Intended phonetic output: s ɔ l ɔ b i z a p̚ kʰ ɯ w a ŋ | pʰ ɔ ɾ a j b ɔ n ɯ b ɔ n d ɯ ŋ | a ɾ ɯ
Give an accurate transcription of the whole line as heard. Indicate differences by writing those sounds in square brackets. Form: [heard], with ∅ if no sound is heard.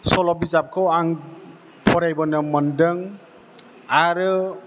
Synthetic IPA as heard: s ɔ l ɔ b i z a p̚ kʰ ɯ w a ŋ | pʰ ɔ ɾ a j b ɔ n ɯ [m] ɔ n d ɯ ŋ | a ɾ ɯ